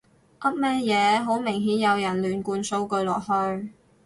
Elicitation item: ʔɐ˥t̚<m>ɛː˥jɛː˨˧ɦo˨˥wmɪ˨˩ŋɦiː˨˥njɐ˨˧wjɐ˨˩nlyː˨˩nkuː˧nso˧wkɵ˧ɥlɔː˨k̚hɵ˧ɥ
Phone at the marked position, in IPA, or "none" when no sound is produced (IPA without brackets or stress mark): m